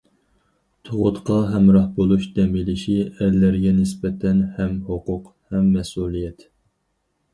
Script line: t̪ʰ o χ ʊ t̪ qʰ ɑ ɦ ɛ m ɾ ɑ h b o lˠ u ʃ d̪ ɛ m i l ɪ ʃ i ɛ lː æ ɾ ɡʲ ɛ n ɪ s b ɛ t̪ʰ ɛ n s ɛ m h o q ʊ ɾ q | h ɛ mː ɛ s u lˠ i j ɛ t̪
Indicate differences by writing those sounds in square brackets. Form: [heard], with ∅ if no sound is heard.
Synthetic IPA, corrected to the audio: t̪ʰ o [ʁ] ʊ t̪ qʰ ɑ ɦ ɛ m ɾ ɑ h b o lˠ u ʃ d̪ ɛ m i l ɪ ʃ i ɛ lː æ ɾ ɡʲ ɛ n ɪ s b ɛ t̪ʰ ɛ n [h] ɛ m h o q ʊ [∅] q | h ɛ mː ɛ s u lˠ i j ɛ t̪

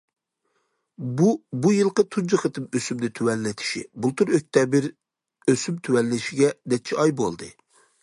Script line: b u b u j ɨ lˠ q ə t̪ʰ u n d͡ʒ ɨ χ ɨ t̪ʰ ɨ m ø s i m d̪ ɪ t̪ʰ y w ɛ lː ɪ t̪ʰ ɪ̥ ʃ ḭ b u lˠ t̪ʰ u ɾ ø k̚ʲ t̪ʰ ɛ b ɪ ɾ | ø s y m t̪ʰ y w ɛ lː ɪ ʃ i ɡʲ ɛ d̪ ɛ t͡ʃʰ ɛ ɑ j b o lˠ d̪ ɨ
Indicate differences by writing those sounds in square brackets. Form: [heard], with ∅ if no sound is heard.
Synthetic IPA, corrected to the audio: b u b u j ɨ lˠ q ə t̪ʰ u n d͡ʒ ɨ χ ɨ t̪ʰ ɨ m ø s [y] m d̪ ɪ t̪ʰ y w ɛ lː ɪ t̪ʰ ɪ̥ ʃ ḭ b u lˠ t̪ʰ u ɾ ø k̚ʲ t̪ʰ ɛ b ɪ ɾ | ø s y m t̪ʰ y w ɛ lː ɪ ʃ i ɡʲ ɛ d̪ ɛ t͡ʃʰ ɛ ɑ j b o lˠ d̪ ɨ

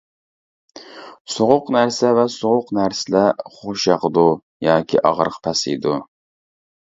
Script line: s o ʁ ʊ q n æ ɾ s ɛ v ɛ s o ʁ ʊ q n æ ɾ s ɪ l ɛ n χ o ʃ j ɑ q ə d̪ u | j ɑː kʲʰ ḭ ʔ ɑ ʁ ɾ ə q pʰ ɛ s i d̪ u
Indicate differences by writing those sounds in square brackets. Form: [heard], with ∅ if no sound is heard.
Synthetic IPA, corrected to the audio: s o ʁ ʊ q n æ ɾ s ɛ v ɛ s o ʁ ʊ q n æ ɾ s ɪ l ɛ [∅] χ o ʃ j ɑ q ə d̪ u | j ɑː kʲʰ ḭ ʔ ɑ ʁ ɾ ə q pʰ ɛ s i d̪ u

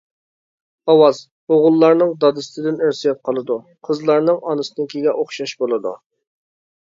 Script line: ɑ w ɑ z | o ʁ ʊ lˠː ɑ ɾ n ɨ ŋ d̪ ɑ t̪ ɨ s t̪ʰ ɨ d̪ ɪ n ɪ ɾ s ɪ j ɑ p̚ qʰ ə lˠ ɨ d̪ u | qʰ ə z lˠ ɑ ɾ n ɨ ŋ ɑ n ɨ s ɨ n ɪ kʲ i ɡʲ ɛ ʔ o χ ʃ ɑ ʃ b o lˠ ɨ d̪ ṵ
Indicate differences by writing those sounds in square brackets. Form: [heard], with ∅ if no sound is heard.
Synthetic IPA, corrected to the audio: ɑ w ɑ z | o ʁ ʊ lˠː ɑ ɾ n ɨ ŋ d̪ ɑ [d̪] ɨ s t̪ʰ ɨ d̪ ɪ n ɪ ɾ s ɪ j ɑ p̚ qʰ [ɑ] lˠ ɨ d̪ u | qʰ ə z lˠ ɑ ɾ n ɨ ŋ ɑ n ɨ s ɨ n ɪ kʲ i ɡʲ ɛ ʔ o χ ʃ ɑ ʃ b o lˠ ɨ d̪ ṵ

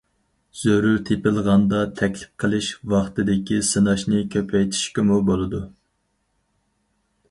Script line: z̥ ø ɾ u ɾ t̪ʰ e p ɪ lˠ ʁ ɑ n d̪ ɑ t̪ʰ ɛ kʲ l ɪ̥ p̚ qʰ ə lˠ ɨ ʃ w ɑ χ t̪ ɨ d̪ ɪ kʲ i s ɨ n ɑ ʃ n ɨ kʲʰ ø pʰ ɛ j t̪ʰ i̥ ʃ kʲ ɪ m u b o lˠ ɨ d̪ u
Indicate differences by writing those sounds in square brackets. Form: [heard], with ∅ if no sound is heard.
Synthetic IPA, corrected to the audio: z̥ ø ɾ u ɾ t̪ʰ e p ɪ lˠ ʁ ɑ n d̪ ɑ t̪ʰ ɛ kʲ l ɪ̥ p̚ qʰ ə lˠ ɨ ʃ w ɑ χ t̪ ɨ d̪ ɪ kʲ i s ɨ n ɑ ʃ n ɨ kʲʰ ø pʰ ɛ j t̪ʰ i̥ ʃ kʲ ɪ m u b o lˠ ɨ d̪ u

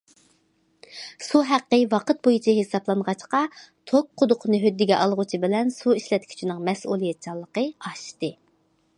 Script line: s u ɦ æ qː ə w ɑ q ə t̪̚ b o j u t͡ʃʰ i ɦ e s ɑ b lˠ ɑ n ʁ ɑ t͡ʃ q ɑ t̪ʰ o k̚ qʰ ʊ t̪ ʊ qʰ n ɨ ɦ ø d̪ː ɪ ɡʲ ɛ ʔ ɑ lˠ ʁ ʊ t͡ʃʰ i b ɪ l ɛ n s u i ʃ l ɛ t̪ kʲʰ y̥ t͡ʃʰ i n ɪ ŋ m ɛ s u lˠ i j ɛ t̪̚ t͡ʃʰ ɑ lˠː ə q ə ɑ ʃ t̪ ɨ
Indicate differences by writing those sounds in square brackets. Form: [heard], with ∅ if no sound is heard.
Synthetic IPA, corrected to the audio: s u ɦ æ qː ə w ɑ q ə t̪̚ b o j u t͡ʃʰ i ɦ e s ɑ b lˠ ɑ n ʁ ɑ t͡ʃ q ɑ t̪ʰ o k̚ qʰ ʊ [d̪] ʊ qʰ n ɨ ɦ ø d̪ː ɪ ɡʲ ɛ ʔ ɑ lˠ ʁ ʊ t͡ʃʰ i b ɪ l ɛ n s u i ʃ l ɛ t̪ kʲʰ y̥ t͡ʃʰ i n ɪ ŋ m ɛ s u lˠ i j ɛ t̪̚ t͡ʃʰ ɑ lˠː ə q ə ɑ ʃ t̪ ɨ

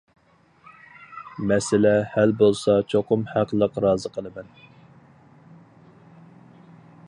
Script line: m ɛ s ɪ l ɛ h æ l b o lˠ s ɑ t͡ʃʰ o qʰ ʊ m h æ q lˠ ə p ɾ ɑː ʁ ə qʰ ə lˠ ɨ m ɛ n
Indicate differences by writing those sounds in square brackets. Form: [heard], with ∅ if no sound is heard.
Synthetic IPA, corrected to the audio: m ɛ s ɪ l ɛ h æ l b o lˠ s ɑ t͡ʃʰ o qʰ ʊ m h æ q lˠ ə [q] ɾ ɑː [z] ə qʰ ə lˠ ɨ m ɛ n

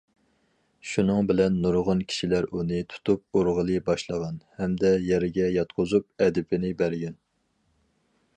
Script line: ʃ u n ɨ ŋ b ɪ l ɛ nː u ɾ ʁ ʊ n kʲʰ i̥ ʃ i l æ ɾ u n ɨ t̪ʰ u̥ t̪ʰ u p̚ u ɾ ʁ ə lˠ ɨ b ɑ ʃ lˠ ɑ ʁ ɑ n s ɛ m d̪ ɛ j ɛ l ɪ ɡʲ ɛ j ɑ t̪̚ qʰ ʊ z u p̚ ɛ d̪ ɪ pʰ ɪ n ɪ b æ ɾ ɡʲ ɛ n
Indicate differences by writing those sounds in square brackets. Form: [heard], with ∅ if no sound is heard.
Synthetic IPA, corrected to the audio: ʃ u n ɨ ŋ b ɪ l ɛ nː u ɾ ʁ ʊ n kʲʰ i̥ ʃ i l æ ɾ u n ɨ t̪ʰ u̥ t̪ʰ u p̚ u ɾ ʁ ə lˠ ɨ b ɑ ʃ lˠ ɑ ʁ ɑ n [h] ɛ m d̪ ɛ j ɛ [ɾ] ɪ ɡʲ ɛ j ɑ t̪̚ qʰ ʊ z u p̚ ɛ d̪ ɪ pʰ ɪ n ɪ b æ ɾ ɡʲ ɛ n

